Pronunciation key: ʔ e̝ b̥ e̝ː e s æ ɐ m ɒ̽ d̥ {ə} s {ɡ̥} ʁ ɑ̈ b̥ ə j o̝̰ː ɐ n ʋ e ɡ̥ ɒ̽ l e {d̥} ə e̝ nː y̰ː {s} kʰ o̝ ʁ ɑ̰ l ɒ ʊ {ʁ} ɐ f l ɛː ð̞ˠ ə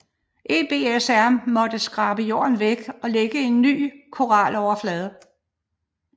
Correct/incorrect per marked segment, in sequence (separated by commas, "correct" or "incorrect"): correct, correct, incorrect, incorrect, incorrect